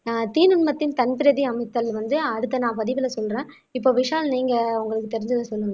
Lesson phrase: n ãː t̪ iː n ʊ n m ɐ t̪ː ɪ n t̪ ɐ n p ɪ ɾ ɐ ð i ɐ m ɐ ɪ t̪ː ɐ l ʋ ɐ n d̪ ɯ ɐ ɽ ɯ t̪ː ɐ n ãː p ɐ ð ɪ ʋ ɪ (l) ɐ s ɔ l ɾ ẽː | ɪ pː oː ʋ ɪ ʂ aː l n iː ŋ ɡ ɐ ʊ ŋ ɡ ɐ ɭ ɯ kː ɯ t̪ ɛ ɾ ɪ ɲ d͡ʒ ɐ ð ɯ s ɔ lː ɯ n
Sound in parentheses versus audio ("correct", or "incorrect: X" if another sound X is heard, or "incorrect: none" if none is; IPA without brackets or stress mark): correct